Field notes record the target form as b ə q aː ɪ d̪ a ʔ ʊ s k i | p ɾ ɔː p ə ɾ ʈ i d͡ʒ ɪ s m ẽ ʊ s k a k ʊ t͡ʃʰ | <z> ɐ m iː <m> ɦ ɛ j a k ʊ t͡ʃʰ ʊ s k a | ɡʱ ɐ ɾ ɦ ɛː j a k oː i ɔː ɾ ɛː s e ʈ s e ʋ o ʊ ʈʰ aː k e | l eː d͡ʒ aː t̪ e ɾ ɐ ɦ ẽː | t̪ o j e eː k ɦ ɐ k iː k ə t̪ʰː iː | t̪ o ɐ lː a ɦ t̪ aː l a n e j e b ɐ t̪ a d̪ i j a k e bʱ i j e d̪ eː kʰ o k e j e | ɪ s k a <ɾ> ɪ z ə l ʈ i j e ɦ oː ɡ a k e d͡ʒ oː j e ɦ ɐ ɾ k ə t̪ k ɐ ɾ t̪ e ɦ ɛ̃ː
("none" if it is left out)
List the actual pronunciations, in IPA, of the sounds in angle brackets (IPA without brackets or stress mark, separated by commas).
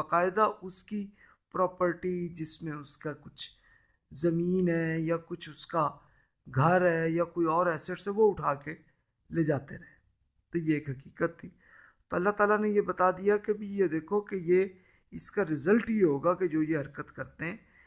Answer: z, n, ɾ